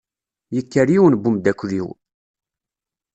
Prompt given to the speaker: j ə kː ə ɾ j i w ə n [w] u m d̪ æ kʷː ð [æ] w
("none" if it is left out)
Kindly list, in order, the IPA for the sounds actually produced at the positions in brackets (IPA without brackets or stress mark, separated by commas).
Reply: b, i